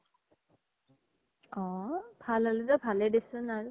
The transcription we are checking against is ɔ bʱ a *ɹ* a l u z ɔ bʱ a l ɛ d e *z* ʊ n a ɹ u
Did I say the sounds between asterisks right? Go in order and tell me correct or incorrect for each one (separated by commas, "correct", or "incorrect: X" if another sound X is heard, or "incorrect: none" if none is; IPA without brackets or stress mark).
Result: incorrect: l, incorrect: s